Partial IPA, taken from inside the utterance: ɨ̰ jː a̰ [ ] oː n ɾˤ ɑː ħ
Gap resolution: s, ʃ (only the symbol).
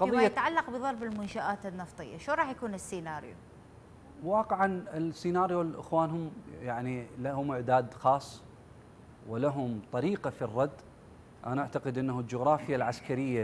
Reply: ʃ